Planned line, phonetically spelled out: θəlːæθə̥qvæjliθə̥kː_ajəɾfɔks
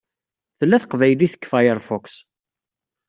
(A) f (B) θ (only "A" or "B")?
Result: A